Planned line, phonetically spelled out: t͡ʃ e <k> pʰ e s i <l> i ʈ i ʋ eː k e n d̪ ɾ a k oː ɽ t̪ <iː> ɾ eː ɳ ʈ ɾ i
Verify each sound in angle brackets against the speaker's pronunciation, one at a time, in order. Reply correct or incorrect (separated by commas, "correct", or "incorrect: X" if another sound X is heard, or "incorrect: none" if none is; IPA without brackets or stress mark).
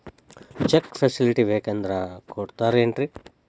correct, correct, incorrect: aː